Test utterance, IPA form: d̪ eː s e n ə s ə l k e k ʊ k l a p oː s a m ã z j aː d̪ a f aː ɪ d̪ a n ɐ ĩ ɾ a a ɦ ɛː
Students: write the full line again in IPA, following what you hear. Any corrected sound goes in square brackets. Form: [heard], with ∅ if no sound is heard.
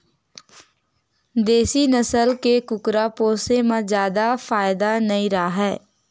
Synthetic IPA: d̪ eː s [i] n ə s ə l k e k ʊ k [ɾ] a p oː s [e] m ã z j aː d̪ a f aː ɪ d̪ a n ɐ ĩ ɾ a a ɦ ɛː